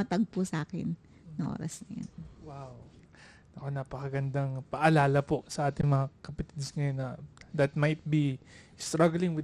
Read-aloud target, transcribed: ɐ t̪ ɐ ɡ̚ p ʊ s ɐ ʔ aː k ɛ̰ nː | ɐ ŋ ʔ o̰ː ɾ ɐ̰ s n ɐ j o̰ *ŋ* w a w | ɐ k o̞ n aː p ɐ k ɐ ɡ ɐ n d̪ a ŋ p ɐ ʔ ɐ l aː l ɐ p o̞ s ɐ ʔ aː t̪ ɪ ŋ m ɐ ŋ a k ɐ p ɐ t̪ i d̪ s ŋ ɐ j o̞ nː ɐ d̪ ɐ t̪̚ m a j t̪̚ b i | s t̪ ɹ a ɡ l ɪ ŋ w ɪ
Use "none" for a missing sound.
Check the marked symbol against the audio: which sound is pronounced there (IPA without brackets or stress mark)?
n